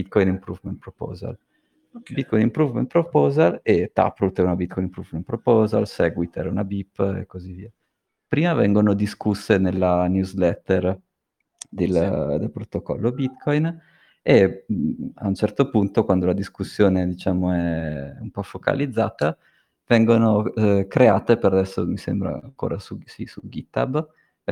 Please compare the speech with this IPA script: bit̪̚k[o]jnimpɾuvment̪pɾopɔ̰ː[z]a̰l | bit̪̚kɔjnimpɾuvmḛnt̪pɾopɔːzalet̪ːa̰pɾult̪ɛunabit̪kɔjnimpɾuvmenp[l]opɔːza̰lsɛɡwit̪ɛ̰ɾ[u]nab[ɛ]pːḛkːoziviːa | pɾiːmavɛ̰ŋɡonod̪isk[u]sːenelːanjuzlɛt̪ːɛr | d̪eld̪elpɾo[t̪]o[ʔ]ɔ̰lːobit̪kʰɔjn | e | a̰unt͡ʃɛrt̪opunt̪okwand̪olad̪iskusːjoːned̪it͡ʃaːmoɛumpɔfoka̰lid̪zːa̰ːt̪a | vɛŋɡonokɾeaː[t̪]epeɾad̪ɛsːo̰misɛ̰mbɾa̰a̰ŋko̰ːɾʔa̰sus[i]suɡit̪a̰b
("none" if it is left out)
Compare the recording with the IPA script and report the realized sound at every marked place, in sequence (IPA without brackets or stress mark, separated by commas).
ɔ, z, ɾ, u, i, u, t̪, k, t̪, i